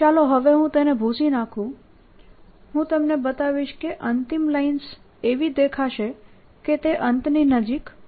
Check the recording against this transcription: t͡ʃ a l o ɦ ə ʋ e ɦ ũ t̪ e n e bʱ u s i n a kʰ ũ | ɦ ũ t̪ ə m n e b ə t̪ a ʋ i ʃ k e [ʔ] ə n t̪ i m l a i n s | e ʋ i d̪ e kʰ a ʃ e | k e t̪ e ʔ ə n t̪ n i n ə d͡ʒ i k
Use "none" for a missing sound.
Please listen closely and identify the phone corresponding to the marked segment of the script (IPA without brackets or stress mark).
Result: ʔ